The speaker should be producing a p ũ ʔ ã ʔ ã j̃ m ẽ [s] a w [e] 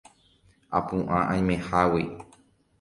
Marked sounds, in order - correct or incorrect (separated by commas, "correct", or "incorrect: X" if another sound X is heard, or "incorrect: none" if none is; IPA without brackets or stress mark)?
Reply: incorrect: h, incorrect: i